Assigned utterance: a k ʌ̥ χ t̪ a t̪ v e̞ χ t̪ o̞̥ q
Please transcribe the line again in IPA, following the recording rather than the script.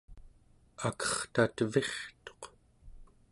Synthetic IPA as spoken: a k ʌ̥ χ t̪ a t̪ v e̞ χ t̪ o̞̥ q